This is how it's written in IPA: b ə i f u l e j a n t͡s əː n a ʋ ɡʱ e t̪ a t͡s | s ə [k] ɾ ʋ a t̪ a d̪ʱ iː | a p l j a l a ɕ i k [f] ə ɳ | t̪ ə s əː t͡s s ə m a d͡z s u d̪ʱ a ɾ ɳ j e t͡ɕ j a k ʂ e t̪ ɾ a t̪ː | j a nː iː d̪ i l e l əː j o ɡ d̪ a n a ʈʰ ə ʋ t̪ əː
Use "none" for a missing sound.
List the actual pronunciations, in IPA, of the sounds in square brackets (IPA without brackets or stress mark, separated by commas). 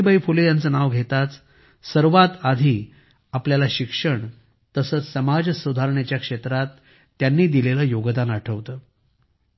none, ʂ